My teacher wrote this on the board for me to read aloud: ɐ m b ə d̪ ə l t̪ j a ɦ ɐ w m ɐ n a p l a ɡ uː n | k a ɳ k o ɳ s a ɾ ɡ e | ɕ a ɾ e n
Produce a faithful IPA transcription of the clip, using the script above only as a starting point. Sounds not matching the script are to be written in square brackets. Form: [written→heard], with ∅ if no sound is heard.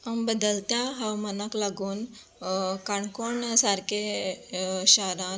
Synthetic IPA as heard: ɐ m b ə d̪ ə l t̪ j a ɦ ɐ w m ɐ n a [p→k] l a ɡ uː n | k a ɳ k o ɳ s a ɾ [ɡ→k] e | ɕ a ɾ [e→a] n